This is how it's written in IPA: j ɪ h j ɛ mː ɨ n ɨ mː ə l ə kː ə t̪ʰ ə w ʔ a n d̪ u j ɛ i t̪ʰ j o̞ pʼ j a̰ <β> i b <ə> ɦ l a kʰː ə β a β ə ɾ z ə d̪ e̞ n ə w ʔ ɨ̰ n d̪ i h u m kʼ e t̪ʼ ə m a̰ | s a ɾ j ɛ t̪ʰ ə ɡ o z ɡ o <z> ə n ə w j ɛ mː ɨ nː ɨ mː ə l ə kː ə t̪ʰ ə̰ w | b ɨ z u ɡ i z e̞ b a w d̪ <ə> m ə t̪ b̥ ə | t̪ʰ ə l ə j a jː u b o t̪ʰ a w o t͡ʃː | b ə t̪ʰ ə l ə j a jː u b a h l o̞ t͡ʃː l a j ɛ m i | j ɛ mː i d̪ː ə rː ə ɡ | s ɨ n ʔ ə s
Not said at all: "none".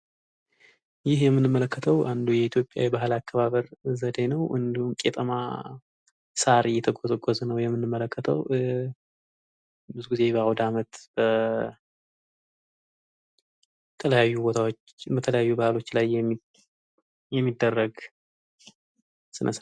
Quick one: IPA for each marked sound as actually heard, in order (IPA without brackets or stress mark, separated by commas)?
w, a, z, a